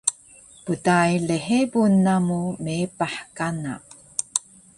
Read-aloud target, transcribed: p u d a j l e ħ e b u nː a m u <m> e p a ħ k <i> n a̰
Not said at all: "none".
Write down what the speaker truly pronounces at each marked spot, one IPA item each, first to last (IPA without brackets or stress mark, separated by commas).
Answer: m, a